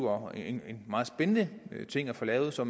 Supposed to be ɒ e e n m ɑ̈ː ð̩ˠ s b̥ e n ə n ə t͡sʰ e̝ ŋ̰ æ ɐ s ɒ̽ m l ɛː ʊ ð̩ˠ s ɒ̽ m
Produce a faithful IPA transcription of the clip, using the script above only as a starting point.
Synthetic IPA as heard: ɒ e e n m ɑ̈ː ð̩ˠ s b̥ e n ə n ə t͡sʰ e̝ ŋ̰ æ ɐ f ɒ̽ l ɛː ʊ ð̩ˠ s ɒ̽ m